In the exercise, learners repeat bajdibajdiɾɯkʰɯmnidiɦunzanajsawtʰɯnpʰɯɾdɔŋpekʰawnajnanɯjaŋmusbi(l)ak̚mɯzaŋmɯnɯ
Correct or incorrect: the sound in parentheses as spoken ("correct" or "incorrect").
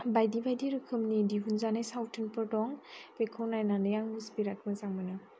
incorrect